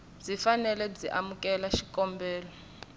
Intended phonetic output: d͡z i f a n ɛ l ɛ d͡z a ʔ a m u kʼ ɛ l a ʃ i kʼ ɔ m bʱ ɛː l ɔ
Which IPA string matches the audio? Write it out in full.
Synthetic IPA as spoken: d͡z i f a n ɛ l ɛ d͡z i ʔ a m u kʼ ɛ l a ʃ i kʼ ɔ m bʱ ɛː l ɔ

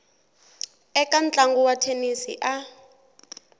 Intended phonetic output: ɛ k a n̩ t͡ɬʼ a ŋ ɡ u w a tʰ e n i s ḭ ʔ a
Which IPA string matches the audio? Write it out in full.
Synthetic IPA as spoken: ɛ k a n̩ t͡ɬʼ a ŋ ɡ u w a tʰ e n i s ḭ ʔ a

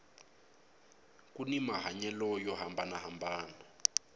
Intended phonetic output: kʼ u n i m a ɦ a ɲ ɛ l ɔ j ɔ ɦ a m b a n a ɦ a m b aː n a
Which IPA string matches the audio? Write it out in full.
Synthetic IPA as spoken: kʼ u n i m a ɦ a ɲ ɛ l ɔ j ɔ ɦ a m b a n a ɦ a m b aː n a

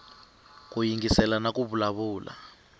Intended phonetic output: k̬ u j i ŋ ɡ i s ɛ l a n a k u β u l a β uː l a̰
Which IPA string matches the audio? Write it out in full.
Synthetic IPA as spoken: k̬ u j i ŋ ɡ i s ɛ l a n a k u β u l a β uː l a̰

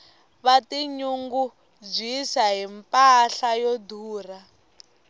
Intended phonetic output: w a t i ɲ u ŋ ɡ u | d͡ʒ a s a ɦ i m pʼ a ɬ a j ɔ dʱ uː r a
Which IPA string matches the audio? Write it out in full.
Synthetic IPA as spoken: β a t i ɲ u ŋ ɡ u | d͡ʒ i s a ɦ i m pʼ a ɬ a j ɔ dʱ uː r a

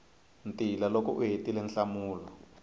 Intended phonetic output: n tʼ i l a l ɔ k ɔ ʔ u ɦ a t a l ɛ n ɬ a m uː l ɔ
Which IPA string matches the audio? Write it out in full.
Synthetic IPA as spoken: n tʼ i l a l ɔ k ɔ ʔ u ɦ e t i l ɛ n ɬ a m uː l ɔ

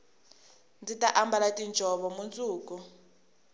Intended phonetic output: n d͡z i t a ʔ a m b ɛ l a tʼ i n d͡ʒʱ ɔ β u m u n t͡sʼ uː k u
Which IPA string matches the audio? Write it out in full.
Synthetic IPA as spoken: n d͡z i t a ʔ a m b a l a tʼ i n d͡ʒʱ ɔ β ɔ m u n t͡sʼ uː k u

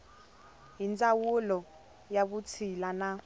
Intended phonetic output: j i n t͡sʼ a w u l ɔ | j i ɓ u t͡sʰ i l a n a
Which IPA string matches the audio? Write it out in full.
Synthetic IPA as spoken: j i n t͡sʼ a w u l ɔ | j a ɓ u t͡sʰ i l a n a

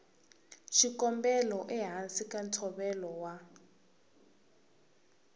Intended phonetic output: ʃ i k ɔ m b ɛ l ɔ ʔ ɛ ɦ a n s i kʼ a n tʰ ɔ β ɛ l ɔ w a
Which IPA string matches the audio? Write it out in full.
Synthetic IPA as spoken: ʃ i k ɔ m b ɛ l ɔ ʔ ɛ ɦ a n s i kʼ a n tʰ ɔ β ɛ l ɔ w a

